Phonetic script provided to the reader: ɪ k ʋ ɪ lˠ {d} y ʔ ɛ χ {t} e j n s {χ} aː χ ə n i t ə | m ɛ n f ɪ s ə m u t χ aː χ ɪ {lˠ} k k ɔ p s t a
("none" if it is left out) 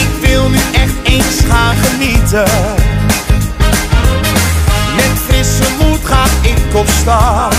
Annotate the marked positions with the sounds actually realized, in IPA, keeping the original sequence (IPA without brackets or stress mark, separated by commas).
n, t, χ, none